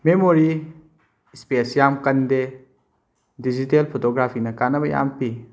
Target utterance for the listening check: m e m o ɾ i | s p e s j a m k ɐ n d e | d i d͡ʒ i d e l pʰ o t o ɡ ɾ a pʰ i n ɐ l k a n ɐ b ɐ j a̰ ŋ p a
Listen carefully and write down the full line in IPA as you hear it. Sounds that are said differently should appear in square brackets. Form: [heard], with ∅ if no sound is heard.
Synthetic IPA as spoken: m e m o ɾ i | s p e s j a m k ɐ n d e | d i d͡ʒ i [t] e l pʰ o t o ɡ ɾ a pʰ i n ɐ [∅] k a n ɐ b ɐ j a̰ [m] p [i]